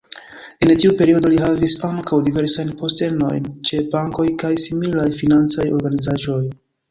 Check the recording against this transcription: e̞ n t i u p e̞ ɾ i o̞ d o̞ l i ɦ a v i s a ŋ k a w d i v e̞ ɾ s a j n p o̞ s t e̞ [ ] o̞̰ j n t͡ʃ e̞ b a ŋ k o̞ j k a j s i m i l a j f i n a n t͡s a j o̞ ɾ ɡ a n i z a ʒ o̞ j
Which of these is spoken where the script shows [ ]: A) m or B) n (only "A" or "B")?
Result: B